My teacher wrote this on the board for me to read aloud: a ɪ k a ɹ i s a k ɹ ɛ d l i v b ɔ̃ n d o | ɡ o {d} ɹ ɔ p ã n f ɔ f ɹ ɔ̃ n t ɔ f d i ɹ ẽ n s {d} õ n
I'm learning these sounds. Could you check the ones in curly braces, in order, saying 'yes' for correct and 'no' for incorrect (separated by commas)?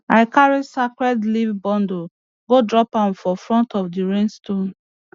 yes, no